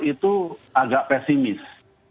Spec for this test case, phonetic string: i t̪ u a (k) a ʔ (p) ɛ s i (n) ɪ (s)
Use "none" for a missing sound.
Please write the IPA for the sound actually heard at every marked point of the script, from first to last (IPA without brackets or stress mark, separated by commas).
ɡ, p, m, s